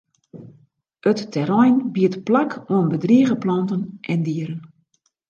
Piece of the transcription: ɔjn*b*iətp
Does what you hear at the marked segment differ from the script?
no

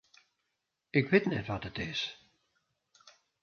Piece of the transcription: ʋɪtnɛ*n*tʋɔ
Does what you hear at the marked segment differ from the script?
yes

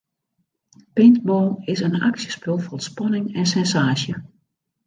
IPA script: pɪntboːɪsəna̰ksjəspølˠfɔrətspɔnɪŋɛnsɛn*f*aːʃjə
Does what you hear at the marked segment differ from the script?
yes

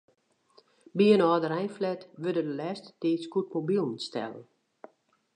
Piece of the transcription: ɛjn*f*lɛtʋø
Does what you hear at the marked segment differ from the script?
no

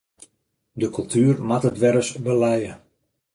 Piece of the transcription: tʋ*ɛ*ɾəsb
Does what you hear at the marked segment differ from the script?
no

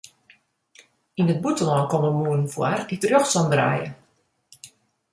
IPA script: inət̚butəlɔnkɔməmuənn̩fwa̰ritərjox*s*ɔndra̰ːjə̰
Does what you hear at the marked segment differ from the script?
no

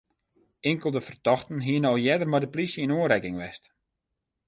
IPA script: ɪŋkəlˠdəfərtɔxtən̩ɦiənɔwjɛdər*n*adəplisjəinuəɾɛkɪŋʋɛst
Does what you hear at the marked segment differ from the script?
yes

